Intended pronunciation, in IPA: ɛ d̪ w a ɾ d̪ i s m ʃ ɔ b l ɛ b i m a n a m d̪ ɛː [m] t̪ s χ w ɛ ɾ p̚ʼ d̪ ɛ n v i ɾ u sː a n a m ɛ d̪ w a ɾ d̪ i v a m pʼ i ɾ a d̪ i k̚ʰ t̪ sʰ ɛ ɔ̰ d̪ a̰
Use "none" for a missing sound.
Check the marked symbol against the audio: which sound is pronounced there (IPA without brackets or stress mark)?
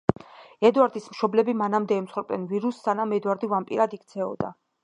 m